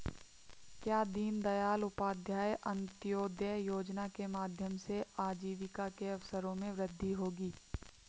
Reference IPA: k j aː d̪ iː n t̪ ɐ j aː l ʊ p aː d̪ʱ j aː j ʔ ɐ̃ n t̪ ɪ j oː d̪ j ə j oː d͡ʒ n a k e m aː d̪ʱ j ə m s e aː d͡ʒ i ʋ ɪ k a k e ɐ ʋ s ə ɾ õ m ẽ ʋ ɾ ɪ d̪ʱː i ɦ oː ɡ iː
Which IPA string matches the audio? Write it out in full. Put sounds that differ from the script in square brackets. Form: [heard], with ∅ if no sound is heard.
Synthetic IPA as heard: k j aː d̪ iː n [d̪] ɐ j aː l ʊ p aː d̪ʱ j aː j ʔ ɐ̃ n t̪ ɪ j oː d̪ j ə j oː d͡ʒ n a k e m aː d̪ʱ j ə m s e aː d͡ʒ [iː] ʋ ɪ k a k e ɐ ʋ s ə ɾ õ m ẽ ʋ ɾ ɪ d̪ʱː i ɦ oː ɡ iː

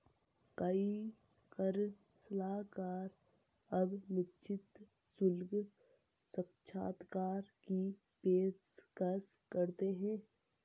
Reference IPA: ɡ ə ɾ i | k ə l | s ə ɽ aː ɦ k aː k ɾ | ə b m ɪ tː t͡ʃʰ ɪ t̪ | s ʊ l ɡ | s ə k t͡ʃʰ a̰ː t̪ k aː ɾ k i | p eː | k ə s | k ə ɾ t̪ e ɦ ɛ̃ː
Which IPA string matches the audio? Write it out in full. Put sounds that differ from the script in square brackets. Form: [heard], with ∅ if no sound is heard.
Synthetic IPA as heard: [k] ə [∅] i | k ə [ɾ] | s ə [l] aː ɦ k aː [∅] ɾ | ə b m ɪ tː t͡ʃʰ ɪ t̪ | s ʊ l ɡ | s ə k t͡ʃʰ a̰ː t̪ k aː ɾ k i | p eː | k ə s | k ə ɾ t̪ e ɦ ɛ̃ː

